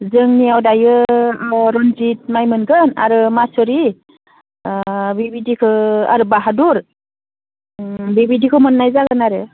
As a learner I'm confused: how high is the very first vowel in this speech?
high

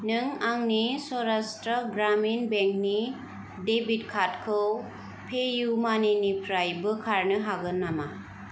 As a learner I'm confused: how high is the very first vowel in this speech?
high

